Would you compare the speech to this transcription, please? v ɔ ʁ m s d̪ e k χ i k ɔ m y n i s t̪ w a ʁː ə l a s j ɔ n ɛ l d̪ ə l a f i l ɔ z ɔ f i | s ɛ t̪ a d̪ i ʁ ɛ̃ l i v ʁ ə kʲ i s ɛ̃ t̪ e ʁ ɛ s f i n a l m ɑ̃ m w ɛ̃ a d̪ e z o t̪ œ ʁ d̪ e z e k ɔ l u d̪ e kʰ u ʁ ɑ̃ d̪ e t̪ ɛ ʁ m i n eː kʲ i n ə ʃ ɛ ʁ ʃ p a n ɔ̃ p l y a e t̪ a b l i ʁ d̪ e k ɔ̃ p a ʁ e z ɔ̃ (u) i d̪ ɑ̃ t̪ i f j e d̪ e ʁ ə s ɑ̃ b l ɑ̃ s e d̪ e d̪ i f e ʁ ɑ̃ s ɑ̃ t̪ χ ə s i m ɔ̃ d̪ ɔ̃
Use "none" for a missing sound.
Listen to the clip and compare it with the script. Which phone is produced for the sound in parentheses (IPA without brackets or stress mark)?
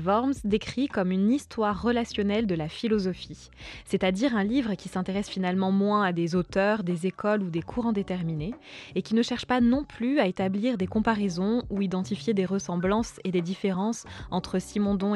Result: u